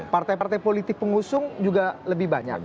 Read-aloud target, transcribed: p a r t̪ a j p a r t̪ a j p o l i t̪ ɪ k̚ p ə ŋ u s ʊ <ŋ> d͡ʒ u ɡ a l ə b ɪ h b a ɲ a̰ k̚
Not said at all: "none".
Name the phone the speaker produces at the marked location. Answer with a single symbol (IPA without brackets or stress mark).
ŋ